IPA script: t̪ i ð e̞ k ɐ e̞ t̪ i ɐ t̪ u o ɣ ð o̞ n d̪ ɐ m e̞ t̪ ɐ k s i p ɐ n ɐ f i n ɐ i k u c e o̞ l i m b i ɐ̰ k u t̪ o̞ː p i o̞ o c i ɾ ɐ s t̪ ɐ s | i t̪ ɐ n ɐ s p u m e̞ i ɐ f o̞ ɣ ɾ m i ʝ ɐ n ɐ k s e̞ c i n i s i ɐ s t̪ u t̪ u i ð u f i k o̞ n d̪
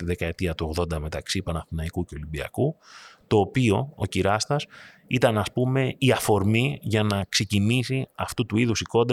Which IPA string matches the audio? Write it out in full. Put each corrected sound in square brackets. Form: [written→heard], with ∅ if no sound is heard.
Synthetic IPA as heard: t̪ i ð e̞ k ɐ e̞ t̪ i ɐ t̪ u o ɣ ð o̞ n d̪ ɐ m e̞ t̪ ɐ k s i p ɐ n ɐ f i n ɐ i k u c e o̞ l i m b i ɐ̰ k u t̪ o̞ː p i o̞ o c i ɾ ɐ s t̪ ɐ s | i t̪ ɐ n ɐ s p u m e̞ i ɐ f o̞ [ɣ→∅] ɾ m i ʝ ɐ n ɐ k s e̞ c i n i s i ɐ [s→f] t̪ u t̪ u i ð u [f→s] i k o̞ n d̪